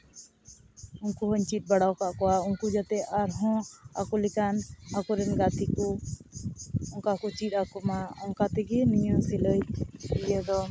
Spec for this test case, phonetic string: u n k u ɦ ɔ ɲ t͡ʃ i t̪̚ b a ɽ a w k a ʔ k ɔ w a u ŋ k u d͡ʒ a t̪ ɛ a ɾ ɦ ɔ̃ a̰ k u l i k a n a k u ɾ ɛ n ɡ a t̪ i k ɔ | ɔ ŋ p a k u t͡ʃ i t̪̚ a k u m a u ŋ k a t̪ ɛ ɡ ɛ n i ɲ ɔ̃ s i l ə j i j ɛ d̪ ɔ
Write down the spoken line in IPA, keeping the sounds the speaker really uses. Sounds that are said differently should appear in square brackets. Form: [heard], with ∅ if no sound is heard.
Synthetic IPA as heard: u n k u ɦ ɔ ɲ t͡ʃ i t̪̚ b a ɽ a w k a ʔ k ɔ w a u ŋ k u d͡ʒ a t̪ ɛ a ɾ ɦ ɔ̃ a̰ k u l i k a n a k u ɾ ɛ n ɡ a t̪ i k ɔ | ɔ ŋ [k] a k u t͡ʃ i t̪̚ a k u m a [ɔ] ŋ k a t̪ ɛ ɡ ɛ n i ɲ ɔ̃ s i l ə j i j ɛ d̪ ɔ